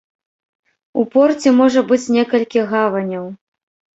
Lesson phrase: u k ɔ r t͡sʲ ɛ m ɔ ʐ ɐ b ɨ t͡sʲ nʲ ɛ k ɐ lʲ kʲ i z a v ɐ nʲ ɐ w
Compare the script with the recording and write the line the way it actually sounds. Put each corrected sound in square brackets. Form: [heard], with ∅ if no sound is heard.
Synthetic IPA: u [p] ɔ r t͡sʲ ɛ m ɔ ʐ ɐ b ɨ t͡sʲ nʲ ɛ k ɐ lʲ kʲ i [ɣ] a v ɐ nʲ ɐ w